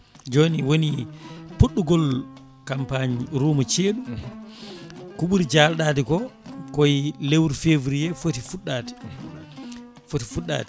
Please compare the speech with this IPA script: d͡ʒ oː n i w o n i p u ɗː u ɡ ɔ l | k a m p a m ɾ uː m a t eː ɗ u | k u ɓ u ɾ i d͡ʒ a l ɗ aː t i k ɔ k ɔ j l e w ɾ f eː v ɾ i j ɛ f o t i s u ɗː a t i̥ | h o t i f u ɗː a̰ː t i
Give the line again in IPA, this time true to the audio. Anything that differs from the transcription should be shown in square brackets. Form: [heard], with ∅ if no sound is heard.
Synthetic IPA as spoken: d͡ʒ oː n i w o n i p u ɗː u ɡ ɔ l | k a m p a [ɲ] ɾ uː m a [t͡ʃ] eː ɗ u | k u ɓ u ɾ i d͡ʒ a l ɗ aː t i k ɔ k ɔ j l e w ɾ f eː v ɾ i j ɛ f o t i [f] u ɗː a t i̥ | [f] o t i f u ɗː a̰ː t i